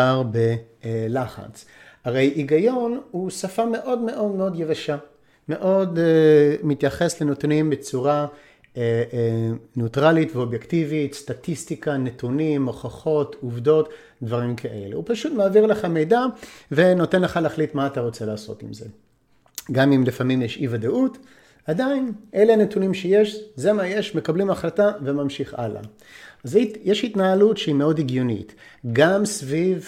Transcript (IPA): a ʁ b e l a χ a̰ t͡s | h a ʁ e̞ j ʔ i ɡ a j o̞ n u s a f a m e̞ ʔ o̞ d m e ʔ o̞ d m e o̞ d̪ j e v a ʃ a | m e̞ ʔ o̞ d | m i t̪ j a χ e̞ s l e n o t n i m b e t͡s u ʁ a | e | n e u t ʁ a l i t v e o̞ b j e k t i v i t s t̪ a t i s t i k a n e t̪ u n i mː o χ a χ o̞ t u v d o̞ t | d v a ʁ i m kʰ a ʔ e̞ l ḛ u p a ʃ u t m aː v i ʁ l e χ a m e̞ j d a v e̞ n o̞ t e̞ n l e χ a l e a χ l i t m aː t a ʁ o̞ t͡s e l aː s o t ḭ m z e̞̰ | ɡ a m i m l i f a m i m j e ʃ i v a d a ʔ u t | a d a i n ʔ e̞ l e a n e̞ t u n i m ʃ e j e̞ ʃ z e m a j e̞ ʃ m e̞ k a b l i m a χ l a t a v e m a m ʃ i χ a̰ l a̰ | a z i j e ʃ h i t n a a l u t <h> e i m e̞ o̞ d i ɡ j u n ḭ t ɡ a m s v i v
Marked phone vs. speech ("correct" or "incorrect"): incorrect